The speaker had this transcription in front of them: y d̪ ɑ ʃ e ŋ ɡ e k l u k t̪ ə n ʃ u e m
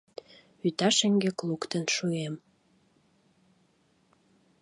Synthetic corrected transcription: y t̪ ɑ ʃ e ŋ ɡ e k l u k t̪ ə n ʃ u e m